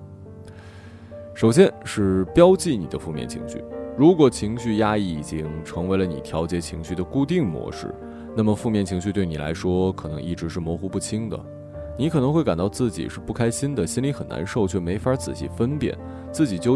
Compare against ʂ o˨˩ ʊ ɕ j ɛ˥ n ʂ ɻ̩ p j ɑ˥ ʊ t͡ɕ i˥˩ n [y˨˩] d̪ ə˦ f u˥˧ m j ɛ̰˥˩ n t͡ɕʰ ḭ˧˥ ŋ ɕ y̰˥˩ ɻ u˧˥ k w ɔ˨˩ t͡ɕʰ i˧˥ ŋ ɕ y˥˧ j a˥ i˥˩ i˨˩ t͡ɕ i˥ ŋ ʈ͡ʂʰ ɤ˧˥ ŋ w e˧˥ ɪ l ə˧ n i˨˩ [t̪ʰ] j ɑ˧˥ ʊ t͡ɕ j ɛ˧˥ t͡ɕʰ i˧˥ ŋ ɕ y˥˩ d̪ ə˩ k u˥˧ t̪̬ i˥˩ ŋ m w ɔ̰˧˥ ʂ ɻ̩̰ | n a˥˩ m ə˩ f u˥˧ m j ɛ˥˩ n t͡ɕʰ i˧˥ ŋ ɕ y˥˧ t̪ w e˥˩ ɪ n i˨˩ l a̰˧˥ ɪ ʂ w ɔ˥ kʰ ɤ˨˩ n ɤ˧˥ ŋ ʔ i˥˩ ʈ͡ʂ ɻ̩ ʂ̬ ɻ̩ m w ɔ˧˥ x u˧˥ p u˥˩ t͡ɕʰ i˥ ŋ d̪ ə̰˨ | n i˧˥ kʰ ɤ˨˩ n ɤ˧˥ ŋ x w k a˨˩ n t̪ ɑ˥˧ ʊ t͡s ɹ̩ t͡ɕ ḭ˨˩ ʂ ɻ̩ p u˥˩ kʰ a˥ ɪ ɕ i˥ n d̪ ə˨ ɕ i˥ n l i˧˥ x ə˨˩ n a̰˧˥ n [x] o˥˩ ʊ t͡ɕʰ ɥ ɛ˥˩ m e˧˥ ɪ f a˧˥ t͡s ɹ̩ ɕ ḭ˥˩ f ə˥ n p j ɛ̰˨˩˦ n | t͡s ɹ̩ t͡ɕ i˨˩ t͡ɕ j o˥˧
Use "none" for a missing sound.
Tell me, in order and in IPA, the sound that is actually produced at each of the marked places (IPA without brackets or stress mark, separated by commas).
i˨˩, t̪ʰ, ʂ